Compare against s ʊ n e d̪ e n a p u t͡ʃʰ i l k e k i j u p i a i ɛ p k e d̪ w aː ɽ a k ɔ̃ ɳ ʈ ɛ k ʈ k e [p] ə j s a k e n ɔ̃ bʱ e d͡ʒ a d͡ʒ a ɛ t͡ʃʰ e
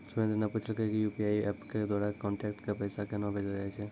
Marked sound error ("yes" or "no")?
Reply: no